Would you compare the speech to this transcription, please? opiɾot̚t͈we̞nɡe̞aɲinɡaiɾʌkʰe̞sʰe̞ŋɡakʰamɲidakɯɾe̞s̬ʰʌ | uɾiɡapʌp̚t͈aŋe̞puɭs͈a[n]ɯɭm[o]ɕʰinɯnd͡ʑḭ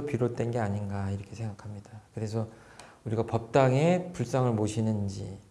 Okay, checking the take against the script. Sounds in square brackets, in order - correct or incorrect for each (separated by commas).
incorrect, correct